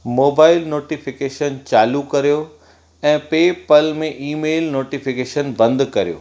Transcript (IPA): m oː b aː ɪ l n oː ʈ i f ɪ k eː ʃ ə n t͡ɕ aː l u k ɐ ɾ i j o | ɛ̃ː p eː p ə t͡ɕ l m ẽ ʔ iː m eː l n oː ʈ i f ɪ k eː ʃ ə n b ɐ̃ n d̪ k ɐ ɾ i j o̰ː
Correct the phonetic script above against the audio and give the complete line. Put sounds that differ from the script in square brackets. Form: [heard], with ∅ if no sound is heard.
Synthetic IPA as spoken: m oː b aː ɪ l n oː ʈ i f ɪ k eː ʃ ə n t͡ɕ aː l u k ɐ ɾ i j o | ɛ̃ː p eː p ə [∅] l m ẽ ʔ iː m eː l n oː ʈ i f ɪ k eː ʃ ə n b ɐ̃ n d̪ k ɐ ɾ i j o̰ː